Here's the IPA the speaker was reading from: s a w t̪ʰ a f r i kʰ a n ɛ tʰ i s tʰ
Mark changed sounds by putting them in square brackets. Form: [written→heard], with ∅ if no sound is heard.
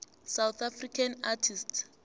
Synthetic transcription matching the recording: s a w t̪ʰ a f r i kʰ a n [ɛ→a] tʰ i s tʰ